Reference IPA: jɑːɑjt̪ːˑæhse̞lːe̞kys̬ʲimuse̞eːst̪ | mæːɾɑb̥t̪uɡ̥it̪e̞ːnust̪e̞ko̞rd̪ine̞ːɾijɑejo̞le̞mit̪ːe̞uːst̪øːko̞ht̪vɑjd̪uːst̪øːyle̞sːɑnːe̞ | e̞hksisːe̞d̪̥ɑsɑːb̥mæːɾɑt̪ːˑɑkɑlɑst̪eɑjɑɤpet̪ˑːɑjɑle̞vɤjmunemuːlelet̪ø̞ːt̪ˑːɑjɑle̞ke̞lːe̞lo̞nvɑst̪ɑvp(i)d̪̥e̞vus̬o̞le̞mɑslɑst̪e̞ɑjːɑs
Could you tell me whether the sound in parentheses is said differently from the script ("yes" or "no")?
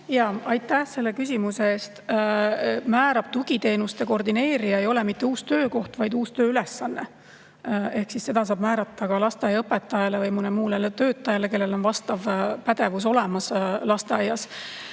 yes